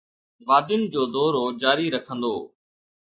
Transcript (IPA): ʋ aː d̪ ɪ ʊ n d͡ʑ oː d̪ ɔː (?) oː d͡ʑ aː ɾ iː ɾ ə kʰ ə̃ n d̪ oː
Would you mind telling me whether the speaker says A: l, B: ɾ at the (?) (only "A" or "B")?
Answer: B